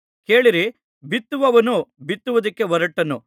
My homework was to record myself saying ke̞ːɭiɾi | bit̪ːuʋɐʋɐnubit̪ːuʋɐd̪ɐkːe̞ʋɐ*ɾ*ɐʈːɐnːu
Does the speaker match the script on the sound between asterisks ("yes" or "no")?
yes